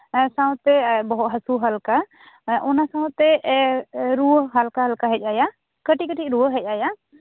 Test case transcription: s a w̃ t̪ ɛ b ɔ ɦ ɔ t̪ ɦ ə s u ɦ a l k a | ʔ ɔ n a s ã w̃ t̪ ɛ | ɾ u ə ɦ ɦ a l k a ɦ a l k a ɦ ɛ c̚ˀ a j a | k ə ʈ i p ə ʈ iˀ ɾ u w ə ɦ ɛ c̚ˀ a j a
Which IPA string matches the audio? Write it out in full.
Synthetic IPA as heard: s a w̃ t̪ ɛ b ɔ ɦ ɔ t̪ ɦ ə s u ɦ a l k a | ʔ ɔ n a s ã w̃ t̪ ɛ | ɾ u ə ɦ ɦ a l k a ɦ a l k a ɦ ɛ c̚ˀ a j a | k ə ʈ i k ə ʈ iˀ ɾ u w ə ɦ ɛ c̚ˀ a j a